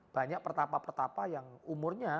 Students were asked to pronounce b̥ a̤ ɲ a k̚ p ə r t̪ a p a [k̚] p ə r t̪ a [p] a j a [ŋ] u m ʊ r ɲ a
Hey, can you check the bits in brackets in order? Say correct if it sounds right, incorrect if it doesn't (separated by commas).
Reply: incorrect, correct, correct